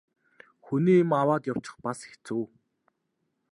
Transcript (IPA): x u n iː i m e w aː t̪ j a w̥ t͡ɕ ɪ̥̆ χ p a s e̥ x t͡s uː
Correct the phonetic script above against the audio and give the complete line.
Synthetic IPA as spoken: x u n iː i m a w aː t̪ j a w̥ t͡ɕ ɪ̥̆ χ p a s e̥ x t͡s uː